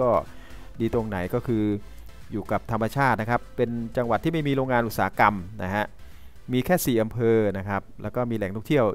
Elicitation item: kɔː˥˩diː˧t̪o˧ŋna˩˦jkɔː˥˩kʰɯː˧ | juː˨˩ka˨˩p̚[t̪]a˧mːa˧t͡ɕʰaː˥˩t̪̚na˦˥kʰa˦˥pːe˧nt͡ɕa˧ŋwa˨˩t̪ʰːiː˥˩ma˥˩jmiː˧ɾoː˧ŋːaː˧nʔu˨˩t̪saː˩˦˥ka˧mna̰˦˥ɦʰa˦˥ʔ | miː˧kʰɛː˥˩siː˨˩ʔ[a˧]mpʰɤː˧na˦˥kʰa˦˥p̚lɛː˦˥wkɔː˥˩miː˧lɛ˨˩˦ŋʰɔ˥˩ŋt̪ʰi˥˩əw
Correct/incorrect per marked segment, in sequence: incorrect, correct

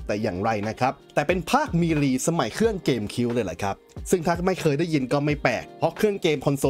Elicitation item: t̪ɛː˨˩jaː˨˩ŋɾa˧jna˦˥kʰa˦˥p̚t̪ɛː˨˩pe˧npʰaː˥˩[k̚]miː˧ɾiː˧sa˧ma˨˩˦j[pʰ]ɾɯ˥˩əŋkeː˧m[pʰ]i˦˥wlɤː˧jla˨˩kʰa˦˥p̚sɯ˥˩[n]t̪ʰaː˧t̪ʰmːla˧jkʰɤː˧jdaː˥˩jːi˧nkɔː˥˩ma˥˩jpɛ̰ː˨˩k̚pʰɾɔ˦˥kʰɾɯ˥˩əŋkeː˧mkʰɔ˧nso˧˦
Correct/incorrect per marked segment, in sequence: correct, incorrect, incorrect, incorrect

